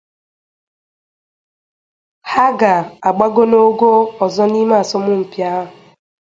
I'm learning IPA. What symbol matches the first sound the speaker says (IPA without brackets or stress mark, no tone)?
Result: h